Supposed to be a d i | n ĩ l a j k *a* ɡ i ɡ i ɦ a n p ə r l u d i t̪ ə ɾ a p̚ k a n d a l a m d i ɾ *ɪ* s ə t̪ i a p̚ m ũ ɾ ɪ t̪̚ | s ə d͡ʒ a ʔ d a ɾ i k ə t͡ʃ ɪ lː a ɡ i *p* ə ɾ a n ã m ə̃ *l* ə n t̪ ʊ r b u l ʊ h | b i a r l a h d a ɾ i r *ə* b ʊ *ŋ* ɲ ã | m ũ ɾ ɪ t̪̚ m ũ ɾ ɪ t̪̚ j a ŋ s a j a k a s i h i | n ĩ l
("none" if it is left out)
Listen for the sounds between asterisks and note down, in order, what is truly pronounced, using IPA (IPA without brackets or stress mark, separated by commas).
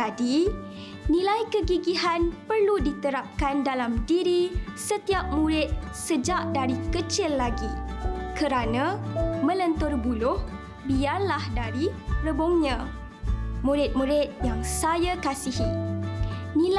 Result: ə, i, k, l, ə, ŋ